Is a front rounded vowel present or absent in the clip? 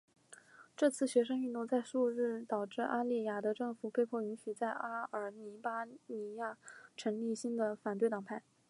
present